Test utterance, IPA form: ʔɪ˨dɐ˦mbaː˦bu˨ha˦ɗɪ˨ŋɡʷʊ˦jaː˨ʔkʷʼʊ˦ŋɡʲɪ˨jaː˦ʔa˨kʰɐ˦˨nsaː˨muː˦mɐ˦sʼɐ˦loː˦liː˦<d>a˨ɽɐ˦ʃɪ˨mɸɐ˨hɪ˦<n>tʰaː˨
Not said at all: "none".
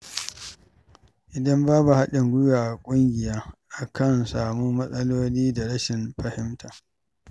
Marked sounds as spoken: d, m

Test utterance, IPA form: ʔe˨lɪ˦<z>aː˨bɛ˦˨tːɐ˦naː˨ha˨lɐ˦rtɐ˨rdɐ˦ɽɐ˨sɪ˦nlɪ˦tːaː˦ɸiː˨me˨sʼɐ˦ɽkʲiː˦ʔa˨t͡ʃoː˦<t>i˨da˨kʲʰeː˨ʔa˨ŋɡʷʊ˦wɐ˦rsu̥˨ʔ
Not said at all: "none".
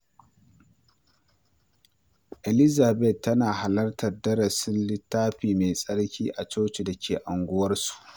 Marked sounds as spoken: z, t͡ʃ

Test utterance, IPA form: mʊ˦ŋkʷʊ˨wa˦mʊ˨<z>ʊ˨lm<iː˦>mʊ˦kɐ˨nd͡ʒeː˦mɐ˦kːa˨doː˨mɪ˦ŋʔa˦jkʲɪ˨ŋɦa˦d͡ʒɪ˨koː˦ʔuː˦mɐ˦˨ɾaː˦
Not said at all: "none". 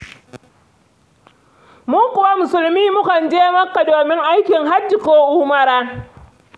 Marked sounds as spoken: s, iː˦

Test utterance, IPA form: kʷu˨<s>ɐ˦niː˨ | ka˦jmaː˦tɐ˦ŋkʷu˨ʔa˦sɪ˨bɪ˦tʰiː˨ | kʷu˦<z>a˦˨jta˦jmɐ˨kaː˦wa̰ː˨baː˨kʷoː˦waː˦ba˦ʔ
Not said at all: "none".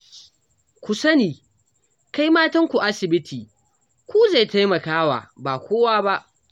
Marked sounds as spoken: s, z

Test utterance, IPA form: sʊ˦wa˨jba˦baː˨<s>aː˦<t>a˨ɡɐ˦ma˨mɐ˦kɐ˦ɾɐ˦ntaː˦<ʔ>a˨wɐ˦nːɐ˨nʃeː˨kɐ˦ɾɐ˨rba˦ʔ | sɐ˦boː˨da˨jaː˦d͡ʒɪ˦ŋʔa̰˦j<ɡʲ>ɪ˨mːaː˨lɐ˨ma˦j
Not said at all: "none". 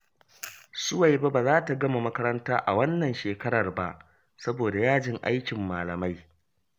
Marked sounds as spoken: z, t, ʔ, kʲ

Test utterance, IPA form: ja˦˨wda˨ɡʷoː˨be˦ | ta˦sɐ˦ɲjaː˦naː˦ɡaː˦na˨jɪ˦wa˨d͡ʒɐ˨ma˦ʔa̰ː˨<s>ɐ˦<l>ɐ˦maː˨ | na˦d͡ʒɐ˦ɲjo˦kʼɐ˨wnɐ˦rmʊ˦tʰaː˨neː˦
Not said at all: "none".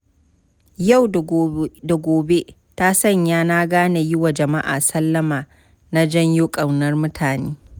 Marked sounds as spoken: s, lː

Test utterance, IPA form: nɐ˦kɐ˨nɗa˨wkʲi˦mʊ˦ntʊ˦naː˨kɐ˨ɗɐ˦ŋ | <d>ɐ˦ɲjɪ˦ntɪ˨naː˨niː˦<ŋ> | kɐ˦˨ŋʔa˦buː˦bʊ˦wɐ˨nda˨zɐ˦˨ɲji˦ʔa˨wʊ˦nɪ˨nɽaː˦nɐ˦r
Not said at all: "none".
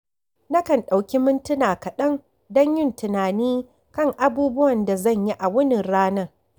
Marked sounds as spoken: d, none

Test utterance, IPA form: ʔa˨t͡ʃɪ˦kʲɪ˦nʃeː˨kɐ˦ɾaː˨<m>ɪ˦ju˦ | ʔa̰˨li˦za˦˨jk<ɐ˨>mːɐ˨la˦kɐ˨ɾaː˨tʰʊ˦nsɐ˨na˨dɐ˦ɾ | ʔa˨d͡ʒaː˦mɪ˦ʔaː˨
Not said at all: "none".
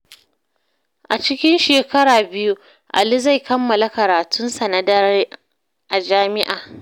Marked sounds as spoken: b, ɐ˦

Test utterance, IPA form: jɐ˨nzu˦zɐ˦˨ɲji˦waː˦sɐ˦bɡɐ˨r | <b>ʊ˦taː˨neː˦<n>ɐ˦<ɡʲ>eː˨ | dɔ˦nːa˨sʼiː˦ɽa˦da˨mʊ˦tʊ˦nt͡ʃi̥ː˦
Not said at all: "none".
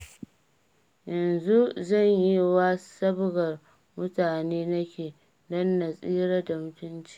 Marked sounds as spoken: m, n, kʲ

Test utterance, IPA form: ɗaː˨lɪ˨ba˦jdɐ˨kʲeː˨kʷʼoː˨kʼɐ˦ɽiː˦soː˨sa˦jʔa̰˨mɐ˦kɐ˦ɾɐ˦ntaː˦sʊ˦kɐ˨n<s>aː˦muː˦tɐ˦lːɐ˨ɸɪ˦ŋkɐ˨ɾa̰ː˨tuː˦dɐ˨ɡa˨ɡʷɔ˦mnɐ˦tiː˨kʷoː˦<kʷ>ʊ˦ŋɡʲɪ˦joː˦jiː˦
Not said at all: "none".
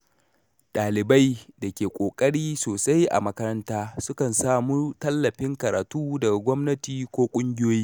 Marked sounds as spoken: s, kʷʼ

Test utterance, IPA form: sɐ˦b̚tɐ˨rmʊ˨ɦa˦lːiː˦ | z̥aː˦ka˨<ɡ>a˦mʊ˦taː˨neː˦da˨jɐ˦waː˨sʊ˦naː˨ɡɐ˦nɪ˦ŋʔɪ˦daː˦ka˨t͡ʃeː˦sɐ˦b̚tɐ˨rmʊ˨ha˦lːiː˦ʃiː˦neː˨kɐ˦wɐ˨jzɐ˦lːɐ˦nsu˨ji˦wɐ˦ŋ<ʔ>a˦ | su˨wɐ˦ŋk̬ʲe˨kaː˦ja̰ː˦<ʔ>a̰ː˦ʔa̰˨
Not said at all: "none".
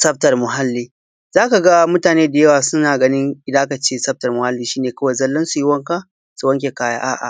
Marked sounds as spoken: ɡ, k, ʔ

